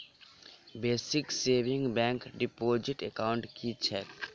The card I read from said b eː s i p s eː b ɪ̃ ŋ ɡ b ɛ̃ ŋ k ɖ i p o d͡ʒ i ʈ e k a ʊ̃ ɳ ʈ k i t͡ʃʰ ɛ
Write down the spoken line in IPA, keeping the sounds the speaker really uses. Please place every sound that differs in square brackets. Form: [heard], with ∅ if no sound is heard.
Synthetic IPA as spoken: b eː s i [k] s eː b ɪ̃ ŋ ɡ b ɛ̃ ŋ k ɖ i p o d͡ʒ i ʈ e k a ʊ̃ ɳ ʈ k i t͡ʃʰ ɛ